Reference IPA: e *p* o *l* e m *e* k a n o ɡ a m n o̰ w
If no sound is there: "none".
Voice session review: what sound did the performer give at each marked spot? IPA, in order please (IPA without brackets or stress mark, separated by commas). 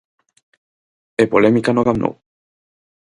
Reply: p, l, i